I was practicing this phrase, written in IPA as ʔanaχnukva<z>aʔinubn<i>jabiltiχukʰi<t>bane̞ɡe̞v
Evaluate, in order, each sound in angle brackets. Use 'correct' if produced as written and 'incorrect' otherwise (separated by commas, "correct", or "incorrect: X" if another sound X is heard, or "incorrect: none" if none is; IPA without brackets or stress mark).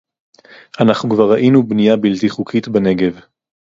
incorrect: ʁ, correct, correct